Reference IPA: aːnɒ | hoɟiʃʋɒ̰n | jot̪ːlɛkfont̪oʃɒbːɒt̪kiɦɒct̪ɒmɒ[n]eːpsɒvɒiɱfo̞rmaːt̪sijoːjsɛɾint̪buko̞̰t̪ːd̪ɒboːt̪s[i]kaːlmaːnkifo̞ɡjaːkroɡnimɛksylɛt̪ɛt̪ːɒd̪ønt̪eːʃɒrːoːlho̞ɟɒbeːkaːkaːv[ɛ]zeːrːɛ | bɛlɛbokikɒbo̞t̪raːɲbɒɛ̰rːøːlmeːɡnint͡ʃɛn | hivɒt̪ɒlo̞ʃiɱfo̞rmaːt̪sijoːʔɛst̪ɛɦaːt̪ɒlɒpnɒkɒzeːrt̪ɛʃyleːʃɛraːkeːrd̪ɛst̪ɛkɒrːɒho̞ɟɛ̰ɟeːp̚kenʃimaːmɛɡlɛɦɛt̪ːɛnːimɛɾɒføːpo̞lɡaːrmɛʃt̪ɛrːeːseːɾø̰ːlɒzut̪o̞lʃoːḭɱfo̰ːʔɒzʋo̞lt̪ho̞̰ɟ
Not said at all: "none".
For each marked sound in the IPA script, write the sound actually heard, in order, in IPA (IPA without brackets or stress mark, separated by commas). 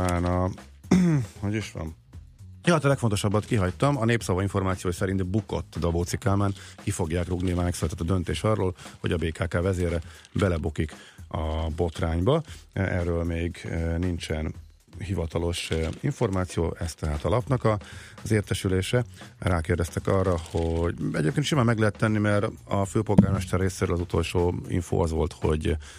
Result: n, i, ɛ